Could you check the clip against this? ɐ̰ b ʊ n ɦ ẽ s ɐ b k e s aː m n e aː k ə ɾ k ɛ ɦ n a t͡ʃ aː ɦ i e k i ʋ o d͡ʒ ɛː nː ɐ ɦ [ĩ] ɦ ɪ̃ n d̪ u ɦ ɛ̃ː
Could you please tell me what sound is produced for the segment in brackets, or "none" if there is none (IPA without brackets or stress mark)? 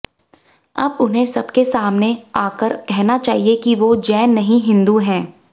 ĩ